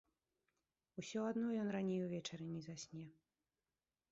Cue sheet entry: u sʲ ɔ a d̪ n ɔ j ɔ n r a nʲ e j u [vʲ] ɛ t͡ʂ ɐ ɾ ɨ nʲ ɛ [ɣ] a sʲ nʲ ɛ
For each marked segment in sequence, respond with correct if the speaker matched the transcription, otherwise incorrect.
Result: correct, incorrect

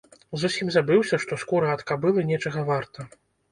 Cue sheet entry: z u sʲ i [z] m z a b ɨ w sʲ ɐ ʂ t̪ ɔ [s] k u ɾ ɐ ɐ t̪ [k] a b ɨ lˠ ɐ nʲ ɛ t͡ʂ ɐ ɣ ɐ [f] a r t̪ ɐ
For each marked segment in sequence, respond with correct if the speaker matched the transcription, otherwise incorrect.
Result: incorrect, correct, correct, incorrect

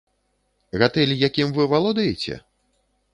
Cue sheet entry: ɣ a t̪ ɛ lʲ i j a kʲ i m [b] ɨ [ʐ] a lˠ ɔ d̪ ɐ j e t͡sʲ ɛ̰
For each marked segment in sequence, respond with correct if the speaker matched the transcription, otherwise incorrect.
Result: incorrect, incorrect

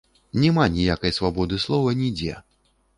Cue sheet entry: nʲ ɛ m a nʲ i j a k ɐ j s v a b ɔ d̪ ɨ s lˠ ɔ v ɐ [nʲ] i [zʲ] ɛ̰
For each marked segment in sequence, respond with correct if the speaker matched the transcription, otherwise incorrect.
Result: correct, incorrect

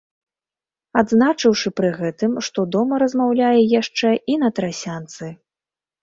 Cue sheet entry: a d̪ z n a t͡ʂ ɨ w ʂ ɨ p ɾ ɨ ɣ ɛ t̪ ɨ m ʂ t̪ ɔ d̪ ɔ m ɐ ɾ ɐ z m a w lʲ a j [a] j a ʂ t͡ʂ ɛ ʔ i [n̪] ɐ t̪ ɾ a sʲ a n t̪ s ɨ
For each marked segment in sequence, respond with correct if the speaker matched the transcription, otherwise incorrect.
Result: incorrect, correct

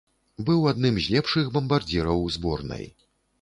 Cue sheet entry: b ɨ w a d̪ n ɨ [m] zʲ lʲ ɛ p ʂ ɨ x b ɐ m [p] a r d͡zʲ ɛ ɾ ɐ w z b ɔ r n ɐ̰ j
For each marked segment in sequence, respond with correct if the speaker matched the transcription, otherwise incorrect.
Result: correct, incorrect

